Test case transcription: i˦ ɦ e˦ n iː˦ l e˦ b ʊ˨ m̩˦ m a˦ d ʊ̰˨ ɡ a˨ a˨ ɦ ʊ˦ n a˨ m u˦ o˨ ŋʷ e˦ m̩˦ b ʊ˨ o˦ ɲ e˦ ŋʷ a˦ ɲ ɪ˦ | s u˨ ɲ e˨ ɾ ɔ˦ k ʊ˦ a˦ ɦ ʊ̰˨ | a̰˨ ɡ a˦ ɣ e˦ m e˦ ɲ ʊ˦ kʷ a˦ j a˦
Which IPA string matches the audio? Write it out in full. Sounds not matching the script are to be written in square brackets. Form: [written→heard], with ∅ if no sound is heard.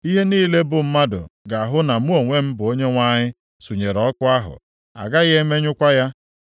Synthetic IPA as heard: i˦ ɦ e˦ n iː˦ l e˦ b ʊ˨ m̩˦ m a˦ d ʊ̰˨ ɡ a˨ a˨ ɦ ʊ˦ n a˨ m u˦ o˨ ŋʷ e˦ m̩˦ b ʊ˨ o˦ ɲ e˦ ŋʷ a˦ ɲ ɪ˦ | s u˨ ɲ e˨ ɾ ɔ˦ k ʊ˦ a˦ ɦ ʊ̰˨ | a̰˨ ɡ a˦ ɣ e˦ m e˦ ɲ ʊ˦ kʷ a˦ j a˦

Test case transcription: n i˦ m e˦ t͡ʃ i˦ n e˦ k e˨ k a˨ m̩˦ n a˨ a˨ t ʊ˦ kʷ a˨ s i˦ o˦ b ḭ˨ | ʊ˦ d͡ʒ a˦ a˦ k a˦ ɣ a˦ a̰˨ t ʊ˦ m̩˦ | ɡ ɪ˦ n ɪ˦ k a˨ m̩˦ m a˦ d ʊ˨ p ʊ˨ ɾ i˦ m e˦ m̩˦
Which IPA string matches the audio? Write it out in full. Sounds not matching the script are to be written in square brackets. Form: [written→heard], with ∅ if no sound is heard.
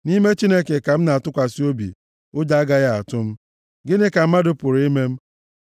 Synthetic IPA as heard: n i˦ m e˦ t͡ʃ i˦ n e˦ k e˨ k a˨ m̩˦ n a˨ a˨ t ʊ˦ kʷ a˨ s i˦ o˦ b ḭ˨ | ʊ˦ d͡ʒ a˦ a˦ [k→ɡ] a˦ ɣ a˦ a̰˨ t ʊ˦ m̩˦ | ɡ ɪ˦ n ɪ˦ k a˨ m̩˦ m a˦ d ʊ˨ p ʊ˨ ɾ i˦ m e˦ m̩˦

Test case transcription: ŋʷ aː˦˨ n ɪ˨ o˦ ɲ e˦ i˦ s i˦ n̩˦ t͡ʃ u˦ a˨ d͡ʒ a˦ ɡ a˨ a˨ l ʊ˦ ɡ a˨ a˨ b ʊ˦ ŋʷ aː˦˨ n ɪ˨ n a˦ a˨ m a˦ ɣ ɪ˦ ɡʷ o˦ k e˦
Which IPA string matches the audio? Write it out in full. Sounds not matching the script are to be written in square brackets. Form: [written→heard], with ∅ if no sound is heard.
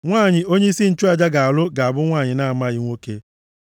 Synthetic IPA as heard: ŋʷ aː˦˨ [n→ɲ] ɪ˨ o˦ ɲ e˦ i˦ s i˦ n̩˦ t͡ʃ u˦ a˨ d͡ʒ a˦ ɡ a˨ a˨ l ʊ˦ ɡ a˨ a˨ b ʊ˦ ŋʷ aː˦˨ [n→ɲ] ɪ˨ n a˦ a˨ m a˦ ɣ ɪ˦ [ɡʷ→ŋʷ] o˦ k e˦

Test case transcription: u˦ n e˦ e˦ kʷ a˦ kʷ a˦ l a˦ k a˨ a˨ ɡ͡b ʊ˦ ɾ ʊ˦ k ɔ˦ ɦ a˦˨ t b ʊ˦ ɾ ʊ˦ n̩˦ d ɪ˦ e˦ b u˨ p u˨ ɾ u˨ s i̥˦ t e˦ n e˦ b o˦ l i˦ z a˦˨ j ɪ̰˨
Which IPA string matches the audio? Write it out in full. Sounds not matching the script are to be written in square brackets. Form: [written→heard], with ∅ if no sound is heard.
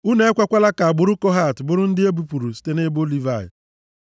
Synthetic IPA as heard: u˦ n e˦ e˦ kʷ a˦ kʷ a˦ l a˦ k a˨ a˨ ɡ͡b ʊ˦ ɾ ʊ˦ k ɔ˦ ɦ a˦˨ t b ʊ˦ ɾ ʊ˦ n̩˦ d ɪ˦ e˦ b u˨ p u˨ ɾ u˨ s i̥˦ t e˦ n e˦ b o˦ l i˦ [z→v] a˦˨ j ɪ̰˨

